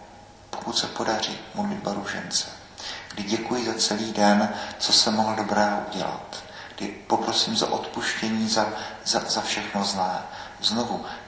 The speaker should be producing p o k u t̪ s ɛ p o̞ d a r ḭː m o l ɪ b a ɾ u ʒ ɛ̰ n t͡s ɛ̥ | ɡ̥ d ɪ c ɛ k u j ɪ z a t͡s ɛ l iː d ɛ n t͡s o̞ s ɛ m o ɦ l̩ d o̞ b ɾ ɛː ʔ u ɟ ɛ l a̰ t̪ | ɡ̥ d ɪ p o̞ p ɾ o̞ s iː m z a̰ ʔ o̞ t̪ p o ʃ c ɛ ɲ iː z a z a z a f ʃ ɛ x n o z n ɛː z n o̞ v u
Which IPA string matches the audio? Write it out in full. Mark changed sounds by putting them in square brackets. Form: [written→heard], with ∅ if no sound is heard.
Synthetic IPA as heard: p o k u t̪ s ɛ p o̞ d a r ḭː m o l ɪ b a ɾ u ʒ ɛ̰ n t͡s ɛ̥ | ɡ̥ d ɪ [c→ɟ] ɛ k u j ɪ z a t͡s ɛ l iː d ɛ n t͡s o̞ s ɛ m o ɦ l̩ d o̞ b ɾ ɛː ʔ u ɟ ɛ l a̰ t̪ | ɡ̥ d ɪ p o̞ p ɾ o̞ s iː m z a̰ ʔ o̞ t̪ p [o→u] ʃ c ɛ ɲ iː z a z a z a f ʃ ɛ x n o z n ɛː z n o̞ v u